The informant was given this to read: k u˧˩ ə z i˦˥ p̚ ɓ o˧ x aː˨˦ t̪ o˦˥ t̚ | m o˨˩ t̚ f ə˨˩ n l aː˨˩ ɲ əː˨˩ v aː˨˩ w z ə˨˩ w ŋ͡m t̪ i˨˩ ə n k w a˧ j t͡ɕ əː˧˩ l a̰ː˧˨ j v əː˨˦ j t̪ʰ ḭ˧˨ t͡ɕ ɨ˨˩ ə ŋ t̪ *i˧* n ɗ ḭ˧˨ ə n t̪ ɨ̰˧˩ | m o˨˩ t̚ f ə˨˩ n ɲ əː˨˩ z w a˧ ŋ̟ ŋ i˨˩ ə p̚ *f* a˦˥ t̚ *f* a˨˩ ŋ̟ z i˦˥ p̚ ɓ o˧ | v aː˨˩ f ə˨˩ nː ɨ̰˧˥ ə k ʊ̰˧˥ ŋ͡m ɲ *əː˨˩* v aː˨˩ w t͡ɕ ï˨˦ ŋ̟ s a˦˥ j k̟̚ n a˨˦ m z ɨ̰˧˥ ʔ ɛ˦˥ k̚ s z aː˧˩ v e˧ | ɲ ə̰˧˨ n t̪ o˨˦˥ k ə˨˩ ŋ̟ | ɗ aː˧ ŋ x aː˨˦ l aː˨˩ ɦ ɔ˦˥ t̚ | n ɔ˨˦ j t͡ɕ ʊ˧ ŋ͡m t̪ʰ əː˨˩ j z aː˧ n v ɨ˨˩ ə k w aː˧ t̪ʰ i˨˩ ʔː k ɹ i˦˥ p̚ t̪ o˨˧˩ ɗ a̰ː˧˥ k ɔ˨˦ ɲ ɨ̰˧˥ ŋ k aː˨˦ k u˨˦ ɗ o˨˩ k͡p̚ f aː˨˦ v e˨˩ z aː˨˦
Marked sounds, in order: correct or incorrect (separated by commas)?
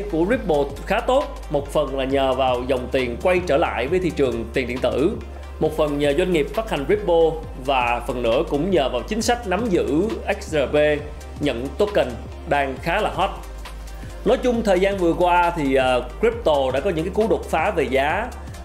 incorrect, correct, incorrect, correct